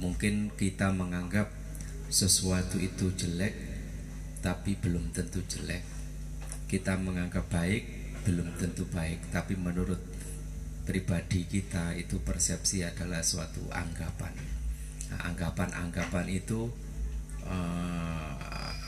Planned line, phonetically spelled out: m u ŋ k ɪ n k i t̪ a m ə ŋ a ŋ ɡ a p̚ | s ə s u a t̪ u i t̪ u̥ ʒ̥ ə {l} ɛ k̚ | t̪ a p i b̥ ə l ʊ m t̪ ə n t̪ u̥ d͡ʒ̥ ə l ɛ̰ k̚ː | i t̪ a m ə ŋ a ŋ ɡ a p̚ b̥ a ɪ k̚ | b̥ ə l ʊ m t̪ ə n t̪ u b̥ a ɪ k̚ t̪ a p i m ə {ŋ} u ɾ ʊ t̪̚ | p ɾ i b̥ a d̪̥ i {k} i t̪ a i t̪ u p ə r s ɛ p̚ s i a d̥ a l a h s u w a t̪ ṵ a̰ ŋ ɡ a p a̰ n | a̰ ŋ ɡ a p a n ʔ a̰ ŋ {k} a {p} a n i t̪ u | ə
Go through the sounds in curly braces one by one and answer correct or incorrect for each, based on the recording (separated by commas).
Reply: correct, incorrect, correct, incorrect, correct